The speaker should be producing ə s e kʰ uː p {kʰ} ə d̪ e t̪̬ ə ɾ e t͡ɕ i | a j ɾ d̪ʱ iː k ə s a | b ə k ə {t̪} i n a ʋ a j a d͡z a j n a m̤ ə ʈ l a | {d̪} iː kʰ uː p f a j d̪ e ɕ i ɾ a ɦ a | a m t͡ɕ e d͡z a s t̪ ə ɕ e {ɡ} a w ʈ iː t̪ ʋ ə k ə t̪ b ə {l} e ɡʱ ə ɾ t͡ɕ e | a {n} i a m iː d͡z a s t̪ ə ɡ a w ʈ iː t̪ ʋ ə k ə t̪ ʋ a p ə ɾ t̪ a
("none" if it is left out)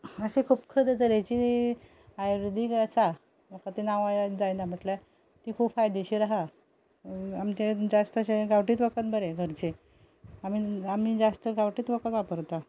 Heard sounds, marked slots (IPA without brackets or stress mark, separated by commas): kʰ, t̪, t̪, ɡ, ɾ, m